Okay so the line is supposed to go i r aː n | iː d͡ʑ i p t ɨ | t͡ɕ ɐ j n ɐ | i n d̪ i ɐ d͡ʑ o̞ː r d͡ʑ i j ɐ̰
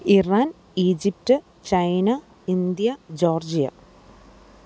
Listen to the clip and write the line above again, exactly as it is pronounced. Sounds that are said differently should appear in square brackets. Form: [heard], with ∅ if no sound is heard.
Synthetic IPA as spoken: i r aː n | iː d͡ʑ i p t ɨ | t͡ɕ ɐ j n ɐ | i n d̪ [j] ɐ d͡ʑ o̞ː r d͡ʑ i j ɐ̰